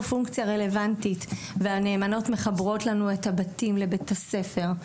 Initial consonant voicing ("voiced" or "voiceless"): voiceless